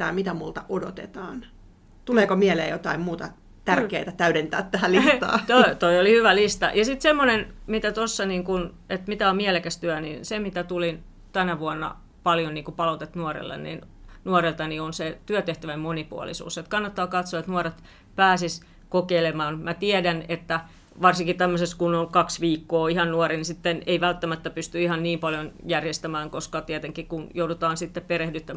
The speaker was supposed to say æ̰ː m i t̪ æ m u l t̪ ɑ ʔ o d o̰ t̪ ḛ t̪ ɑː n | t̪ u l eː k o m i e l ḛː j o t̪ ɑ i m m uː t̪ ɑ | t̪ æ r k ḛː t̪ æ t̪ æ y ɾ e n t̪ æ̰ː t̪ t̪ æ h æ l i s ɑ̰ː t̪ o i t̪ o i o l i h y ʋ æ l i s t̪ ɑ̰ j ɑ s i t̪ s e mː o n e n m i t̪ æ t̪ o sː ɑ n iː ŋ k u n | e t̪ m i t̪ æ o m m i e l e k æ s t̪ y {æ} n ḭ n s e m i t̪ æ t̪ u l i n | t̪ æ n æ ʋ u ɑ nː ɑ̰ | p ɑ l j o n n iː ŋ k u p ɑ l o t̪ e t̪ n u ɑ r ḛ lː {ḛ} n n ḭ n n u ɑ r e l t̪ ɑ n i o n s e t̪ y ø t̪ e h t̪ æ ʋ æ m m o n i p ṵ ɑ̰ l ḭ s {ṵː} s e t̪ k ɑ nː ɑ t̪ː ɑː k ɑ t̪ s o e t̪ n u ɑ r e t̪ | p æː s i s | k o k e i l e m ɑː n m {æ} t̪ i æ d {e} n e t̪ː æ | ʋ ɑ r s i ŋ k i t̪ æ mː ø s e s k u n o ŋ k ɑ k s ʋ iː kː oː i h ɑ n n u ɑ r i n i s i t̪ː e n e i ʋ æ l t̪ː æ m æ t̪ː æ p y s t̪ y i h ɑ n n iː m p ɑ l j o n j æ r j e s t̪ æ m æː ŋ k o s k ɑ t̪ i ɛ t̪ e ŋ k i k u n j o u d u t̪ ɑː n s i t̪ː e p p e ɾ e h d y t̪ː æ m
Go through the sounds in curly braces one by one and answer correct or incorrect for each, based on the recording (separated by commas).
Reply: correct, correct, correct, correct, incorrect